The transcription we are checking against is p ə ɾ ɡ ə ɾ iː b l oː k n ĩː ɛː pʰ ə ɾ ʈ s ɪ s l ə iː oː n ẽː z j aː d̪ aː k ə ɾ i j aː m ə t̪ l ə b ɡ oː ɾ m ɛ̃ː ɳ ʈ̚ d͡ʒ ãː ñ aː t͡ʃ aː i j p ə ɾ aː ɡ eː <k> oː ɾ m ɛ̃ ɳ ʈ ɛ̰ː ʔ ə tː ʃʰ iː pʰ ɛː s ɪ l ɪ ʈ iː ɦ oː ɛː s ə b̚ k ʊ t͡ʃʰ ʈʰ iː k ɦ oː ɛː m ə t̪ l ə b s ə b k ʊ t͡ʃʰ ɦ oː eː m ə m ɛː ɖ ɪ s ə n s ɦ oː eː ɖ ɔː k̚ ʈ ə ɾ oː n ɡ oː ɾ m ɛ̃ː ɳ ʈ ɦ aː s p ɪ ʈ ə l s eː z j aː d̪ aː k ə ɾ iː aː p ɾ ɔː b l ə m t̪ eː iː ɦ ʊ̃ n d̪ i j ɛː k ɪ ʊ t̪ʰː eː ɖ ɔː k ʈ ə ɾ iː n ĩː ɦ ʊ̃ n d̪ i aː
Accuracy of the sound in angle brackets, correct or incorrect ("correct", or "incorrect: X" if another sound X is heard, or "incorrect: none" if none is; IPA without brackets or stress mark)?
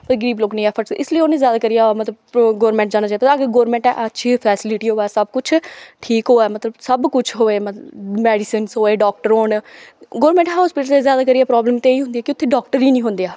incorrect: ɡ